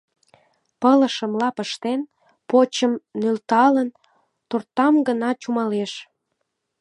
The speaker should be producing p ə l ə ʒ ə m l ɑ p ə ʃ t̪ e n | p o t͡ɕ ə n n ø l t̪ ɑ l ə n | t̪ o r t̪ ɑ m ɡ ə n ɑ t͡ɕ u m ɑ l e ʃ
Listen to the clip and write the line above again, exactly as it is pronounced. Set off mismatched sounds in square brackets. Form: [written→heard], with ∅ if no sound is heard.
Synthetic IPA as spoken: p ə l ə [ʒ→ʃ] ə m l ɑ p ə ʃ t̪ e n | p o t͡ɕ ə [n→m] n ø l t̪ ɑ l ə n | t̪ o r t̪ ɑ m ɡ ə n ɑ t͡ɕ u m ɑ l e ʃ